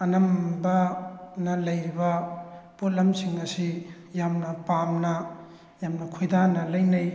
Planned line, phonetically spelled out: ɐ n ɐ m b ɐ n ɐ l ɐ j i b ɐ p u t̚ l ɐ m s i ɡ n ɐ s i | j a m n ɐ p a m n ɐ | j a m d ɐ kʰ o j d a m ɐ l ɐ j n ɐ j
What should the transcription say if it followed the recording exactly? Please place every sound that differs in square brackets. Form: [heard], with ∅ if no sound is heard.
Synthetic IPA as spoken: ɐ n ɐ m b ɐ n ɐ l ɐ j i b ɐ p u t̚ l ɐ m s i [ŋ] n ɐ s i | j a m n ɐ p a m n ɐ | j a m [n] ɐ kʰ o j d a [n] ɐ l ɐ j n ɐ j